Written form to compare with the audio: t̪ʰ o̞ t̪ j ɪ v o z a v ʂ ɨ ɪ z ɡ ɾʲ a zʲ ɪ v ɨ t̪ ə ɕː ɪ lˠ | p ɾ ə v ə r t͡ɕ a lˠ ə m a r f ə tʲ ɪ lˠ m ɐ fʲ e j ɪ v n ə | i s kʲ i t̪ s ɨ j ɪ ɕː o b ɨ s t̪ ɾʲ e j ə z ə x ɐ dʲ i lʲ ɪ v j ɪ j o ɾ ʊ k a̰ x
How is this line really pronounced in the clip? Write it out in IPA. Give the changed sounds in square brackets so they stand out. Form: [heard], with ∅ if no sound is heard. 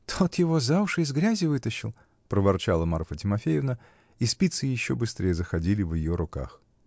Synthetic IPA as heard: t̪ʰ o̞ t̪ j ɪ v o z a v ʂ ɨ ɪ z ɡ ɾʲ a zʲ ɪ v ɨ t̪ ə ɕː ɪ lˠ | p ɾ ə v [ɐ] r t͡ɕ a lˠ ə m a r f ə tʲ ɪ [∅] m ɐ fʲ e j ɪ v n ə | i s [pʲ] i t̪ s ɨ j ɪ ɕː o b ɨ s t̪ ɾʲ e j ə z ə x ɐ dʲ i lʲ ɪ v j ɪ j o ɾ ʊ k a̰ x